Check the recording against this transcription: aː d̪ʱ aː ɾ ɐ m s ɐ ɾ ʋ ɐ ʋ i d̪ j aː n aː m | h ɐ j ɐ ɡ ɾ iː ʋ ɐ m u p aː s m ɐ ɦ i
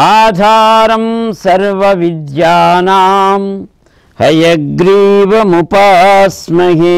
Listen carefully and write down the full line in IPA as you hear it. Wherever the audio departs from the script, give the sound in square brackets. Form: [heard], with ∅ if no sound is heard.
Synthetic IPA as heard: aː d̪ʱ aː ɾ ɐ m s ɐ ɾ ʋ ɐ ʋ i d̪ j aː n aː m | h ɐ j ɐ ɡ ɾ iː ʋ ɐ m u p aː s m ɐ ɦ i